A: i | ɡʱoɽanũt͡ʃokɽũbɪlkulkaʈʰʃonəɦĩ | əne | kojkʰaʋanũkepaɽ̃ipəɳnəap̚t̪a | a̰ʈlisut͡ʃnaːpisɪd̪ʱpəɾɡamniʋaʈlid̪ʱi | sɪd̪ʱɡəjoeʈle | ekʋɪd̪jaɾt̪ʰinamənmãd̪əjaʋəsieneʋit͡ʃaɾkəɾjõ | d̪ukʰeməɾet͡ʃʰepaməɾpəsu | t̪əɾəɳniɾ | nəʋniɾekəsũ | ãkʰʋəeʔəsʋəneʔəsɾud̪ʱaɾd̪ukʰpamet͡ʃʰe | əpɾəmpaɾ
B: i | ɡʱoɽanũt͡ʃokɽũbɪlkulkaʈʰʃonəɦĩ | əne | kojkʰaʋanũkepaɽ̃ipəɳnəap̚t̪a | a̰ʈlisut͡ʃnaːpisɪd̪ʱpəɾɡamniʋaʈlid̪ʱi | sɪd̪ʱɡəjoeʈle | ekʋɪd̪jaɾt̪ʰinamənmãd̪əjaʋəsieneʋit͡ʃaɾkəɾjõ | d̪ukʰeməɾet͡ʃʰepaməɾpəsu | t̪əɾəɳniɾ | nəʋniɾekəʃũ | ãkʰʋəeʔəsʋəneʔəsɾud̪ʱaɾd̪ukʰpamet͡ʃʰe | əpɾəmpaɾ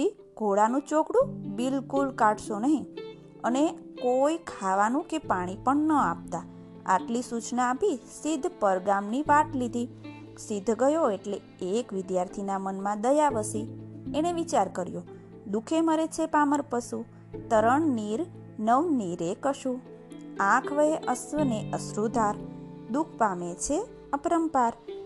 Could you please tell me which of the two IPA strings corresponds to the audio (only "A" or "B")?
B